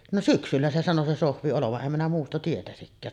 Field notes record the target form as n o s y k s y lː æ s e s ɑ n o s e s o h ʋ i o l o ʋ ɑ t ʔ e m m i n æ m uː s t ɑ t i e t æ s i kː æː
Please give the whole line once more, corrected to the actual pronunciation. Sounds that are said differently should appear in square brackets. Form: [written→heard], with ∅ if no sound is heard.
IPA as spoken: n o s y k s y lː æ s e s ɑ n o s e s o h ʋ i o l o ʋ ɑ [t→ʔ] ʔ e m m i n æ m uː s t ɑ t i e t æ s i kː æː